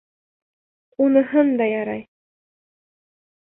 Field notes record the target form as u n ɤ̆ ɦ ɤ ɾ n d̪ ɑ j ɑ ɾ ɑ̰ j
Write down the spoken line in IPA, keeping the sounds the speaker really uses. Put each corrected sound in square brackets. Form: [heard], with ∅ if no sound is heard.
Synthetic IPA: u n ɤ̆ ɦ ɤ [∅] n d̪ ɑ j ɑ ɾ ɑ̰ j